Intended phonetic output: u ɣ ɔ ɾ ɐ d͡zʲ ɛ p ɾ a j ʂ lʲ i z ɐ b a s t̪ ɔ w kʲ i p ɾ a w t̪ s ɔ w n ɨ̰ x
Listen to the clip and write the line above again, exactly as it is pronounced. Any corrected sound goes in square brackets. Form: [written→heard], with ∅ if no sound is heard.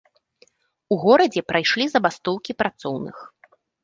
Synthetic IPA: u ɣ ɔ ɾ ɐ d͡zʲ ɛ p ɾ a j ʂ lʲ i z ɐ b a s t̪ ɔ w kʲ i p ɾ a [w→∅] t̪ s ɔ w n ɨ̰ x